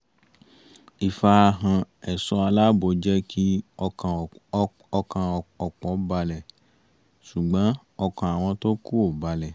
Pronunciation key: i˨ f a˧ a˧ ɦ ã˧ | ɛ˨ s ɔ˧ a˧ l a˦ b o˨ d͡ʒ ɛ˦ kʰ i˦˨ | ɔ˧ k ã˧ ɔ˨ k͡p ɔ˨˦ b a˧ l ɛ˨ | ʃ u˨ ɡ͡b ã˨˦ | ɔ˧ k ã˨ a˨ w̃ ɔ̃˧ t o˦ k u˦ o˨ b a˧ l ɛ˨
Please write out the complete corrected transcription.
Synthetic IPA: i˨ f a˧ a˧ ɦ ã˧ | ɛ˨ s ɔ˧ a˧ l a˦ b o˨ d͡ʒ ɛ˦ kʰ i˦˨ | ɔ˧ k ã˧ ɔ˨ k͡p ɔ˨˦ b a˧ l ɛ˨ | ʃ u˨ ɡ͡b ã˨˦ | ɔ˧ k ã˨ a˨ w̃ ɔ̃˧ t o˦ k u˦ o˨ b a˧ l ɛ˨